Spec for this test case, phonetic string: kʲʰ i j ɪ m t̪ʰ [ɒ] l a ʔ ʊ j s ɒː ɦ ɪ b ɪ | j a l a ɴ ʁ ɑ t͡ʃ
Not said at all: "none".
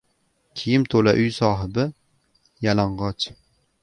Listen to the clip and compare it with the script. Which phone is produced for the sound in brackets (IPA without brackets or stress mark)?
o